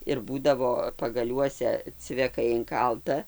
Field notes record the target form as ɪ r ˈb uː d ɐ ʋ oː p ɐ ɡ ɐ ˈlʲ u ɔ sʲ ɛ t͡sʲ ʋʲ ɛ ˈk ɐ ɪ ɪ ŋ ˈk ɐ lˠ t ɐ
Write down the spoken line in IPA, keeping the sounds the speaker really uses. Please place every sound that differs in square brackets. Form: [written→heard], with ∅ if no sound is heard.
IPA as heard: ɪ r ˈb uː d ɐ ʋ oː p ɐ ɡ ɐ ˈlʲ u ɔ sʲ ɛ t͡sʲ ʋʲ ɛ ˈk ɐ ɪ ɪ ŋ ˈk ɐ lˠ t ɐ